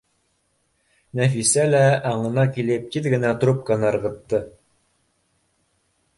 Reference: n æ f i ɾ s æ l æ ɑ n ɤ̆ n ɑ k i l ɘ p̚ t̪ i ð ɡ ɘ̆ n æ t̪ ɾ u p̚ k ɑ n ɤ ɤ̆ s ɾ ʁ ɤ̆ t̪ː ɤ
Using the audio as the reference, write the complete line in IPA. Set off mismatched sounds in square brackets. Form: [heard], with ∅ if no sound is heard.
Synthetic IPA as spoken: n æ f i [∅] s æ l æ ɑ [ɴ] ɤ̆ n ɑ k i l ɘ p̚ t̪ i ð ɡ ɘ̆ n æ t̪ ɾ u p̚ k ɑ n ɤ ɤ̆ [∅] ɾ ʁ ɤ̆ t̪ː ɤ